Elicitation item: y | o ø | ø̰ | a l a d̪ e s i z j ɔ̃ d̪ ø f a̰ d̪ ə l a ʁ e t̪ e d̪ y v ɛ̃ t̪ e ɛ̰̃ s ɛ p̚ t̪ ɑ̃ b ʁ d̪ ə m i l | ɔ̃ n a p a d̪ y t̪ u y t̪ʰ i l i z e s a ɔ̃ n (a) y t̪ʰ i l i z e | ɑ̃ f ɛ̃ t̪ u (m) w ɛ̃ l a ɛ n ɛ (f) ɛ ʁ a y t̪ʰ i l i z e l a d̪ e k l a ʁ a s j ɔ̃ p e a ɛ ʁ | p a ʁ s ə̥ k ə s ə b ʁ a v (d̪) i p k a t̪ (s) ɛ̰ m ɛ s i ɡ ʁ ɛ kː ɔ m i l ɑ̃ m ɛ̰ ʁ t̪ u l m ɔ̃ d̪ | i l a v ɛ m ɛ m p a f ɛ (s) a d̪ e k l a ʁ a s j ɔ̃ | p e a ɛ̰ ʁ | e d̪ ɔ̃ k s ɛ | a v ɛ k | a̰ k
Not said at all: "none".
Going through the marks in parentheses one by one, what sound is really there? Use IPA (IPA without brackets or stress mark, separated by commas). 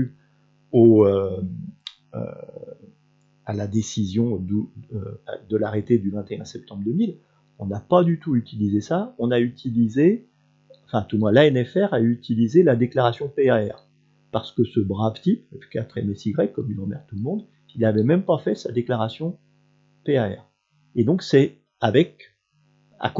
a, m, f, t̪, χ, s